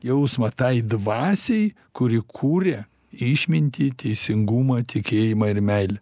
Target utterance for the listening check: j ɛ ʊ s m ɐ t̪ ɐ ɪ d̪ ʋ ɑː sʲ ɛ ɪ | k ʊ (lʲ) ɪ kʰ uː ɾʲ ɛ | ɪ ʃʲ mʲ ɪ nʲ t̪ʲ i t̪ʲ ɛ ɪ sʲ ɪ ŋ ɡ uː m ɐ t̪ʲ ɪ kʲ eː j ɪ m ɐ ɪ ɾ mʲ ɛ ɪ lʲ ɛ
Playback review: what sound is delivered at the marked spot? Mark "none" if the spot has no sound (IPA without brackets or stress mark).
ɾʲ